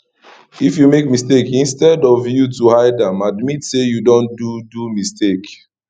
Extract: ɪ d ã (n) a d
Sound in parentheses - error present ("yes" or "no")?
yes